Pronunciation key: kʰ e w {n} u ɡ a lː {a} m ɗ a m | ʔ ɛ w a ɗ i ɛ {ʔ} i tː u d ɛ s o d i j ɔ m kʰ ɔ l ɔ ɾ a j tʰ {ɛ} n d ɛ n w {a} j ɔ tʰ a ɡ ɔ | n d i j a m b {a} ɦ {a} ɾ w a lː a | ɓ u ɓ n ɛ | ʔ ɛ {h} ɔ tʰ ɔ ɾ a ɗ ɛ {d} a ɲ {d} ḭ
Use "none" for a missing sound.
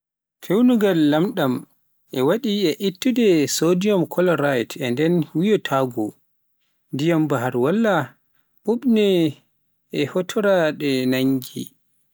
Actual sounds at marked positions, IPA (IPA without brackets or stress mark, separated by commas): n, a, ʔ, ɛ, i, a, a, h, n, ɡ